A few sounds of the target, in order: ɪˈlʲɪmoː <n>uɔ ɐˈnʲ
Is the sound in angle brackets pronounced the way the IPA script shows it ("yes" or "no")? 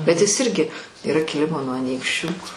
yes